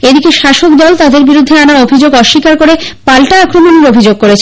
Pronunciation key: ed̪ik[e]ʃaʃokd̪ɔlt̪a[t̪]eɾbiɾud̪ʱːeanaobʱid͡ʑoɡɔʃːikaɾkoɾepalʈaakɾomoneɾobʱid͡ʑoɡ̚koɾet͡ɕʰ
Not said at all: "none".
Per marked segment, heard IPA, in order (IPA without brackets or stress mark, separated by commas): e, d̪